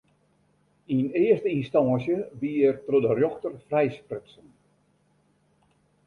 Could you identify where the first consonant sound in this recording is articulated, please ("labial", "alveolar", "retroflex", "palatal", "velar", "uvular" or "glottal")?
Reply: alveolar